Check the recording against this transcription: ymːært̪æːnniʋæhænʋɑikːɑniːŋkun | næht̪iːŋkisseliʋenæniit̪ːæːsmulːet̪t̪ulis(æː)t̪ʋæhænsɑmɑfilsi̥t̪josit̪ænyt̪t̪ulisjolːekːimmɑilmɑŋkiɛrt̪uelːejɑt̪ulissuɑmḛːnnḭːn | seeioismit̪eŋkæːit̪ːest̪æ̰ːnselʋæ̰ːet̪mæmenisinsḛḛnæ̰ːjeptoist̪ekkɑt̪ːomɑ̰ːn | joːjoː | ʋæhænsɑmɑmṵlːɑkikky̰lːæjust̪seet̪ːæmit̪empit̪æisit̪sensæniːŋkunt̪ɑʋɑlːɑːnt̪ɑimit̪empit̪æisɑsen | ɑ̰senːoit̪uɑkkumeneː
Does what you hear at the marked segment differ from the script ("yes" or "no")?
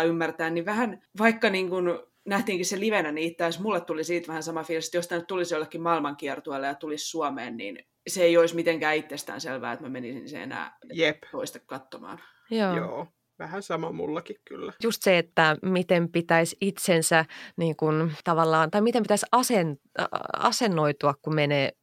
yes